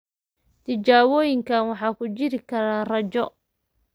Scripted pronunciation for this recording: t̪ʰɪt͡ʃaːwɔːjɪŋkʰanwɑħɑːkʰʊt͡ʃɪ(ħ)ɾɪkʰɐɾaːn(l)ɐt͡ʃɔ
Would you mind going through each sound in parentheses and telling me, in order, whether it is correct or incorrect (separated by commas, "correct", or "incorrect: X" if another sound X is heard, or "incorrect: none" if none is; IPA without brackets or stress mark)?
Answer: incorrect: none, incorrect: r